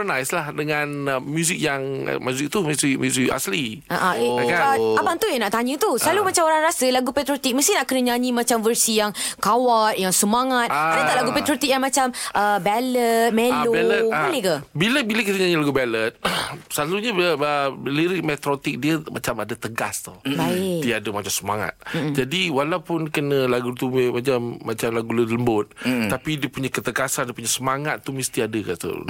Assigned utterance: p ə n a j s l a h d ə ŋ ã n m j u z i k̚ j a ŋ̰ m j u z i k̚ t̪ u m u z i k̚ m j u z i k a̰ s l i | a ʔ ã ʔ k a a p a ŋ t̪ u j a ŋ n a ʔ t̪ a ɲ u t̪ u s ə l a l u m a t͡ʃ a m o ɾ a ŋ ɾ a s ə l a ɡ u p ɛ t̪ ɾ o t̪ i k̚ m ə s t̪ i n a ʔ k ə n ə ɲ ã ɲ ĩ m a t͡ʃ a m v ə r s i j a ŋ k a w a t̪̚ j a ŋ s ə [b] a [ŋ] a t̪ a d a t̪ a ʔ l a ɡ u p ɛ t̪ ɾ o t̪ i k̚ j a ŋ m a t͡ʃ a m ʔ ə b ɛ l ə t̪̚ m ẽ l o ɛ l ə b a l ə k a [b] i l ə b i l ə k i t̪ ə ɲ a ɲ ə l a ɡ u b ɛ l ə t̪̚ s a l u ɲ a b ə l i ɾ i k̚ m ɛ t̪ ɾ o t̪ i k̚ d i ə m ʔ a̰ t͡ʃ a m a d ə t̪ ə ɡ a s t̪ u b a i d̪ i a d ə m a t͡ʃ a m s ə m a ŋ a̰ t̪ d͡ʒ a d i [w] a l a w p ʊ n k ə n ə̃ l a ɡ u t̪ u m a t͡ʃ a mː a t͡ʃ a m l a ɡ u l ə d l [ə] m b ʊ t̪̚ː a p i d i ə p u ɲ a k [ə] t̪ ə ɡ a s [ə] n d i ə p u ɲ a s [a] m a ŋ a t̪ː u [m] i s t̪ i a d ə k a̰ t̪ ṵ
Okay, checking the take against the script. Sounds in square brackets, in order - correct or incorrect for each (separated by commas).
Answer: incorrect, correct, correct, correct, correct, correct, incorrect, incorrect, correct